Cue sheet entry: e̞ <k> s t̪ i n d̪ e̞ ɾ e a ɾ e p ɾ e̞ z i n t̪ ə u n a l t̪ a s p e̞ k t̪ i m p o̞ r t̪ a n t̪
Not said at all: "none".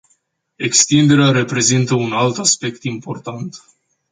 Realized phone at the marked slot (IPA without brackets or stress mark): k